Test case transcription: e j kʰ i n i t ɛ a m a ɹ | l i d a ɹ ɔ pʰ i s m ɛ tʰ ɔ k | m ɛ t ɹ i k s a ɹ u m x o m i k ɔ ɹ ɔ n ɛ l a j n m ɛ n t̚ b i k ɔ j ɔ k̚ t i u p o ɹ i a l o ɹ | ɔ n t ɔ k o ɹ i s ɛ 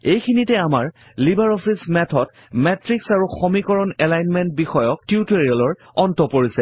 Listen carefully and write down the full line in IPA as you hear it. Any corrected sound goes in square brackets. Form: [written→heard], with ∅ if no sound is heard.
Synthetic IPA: e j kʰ i n i t ɛ a m a ɹ | l i [d→b] a ɹ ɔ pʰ i s m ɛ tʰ ɔ [k→t] | m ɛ t ɹ i k s a ɹ u [m→∅] x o m i k ɔ ɹ ɔ n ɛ l a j n m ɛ n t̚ b i [k→x] ɔ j ɔ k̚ t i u [p→t] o ɹ i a l [o→ɔ] ɹ | ɔ n t ɔ [k→p] o ɹ i s ɛ